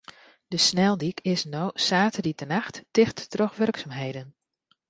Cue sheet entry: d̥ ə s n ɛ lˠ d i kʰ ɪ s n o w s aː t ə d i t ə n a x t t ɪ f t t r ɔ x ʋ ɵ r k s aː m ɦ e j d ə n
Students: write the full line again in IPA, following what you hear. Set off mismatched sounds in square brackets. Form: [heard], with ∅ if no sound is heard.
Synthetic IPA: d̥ ə s n ɛ lˠ d i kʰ ɪ s n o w s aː t ə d i t ə n a x t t ɪ [x] t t r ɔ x ʋ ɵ r k s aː m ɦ e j d ə n